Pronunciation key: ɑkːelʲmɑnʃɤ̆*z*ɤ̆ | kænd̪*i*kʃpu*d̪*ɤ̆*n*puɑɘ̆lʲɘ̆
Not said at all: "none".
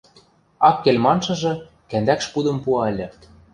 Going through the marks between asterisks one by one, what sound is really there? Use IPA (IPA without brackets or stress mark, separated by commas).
ʒ, æ, d̪, m